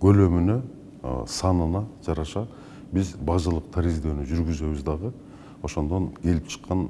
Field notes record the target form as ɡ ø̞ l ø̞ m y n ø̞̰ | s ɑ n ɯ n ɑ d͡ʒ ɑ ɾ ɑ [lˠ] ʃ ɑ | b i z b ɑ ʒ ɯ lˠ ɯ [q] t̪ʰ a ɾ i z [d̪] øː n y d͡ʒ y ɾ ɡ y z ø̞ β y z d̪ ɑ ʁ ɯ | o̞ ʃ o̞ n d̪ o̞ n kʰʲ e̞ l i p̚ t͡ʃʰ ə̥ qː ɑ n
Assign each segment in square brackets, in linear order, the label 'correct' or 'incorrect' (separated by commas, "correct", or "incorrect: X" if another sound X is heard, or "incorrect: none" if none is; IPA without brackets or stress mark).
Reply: incorrect: none, correct, correct